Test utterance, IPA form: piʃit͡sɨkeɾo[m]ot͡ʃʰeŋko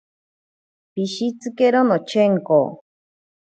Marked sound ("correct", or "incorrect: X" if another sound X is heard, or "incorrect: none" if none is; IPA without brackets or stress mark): incorrect: n